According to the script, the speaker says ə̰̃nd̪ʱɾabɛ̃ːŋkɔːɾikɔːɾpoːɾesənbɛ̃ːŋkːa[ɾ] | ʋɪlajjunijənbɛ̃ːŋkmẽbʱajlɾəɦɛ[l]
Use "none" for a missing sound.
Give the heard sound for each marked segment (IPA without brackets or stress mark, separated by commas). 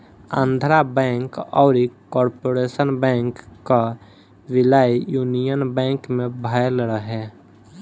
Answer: none, none